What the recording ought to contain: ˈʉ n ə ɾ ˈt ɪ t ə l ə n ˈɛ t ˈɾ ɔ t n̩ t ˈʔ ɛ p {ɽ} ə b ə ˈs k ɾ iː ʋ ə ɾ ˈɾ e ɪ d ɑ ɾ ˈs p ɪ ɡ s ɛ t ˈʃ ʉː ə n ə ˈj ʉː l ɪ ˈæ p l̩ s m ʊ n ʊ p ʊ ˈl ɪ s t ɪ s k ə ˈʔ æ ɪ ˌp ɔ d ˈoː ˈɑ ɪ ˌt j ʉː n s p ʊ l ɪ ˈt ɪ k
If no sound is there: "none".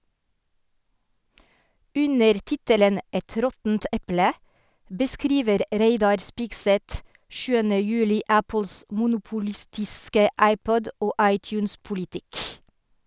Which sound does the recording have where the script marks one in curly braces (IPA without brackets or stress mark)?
l